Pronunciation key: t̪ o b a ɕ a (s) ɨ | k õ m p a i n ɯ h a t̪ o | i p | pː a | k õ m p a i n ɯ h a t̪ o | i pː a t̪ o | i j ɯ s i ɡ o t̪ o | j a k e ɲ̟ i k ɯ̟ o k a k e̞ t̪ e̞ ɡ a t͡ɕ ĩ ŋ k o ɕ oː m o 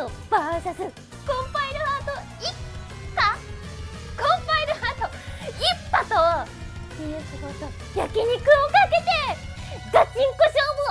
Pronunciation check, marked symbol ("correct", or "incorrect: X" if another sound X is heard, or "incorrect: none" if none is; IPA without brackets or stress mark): correct